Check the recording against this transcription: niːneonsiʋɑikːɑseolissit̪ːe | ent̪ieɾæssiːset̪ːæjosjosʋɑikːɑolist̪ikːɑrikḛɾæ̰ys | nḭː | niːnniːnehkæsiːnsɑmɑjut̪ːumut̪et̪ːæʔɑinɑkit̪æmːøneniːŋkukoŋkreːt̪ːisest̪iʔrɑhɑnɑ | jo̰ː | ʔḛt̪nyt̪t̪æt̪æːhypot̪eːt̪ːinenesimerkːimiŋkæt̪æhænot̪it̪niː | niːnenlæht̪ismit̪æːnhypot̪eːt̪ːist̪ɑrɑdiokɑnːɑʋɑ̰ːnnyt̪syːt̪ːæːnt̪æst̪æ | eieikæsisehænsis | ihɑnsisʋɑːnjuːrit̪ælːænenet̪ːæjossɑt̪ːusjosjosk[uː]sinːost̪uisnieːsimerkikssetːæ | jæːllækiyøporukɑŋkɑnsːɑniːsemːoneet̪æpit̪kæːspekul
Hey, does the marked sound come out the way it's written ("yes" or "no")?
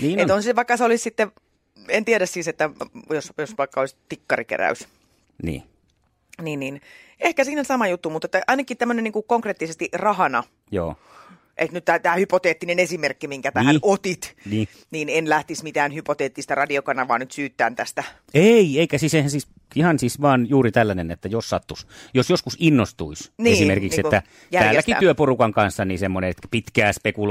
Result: no